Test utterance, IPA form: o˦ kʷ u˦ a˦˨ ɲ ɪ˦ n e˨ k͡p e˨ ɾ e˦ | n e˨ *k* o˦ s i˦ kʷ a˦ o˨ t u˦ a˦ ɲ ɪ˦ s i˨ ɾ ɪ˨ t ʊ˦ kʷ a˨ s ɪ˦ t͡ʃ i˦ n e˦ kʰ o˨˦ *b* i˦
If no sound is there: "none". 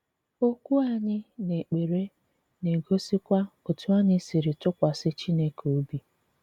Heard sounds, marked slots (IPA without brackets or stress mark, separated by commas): ɡ, b